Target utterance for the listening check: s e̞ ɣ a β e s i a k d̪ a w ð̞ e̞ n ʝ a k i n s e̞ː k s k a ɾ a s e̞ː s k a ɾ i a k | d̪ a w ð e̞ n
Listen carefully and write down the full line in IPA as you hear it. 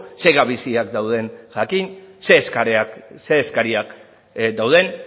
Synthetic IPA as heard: s e̞ ɣ a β i s i a k d̪ a w ð̞ e̞ n ʝ a k i n s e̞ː s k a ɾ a s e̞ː s k a ɾ i a k | d̪ a w ð e̞ n